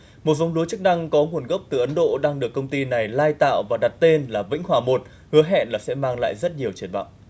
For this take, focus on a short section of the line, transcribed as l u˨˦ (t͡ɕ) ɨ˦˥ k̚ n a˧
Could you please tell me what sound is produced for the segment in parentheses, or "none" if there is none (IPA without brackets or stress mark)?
t͡ɕ